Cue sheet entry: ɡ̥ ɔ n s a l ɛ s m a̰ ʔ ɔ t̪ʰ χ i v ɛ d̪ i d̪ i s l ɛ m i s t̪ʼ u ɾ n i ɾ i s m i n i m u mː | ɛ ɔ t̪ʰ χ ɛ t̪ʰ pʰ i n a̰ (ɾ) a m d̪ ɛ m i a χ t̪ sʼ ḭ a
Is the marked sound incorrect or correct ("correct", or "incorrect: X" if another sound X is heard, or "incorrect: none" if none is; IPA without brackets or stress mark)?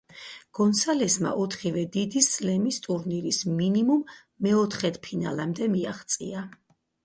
incorrect: l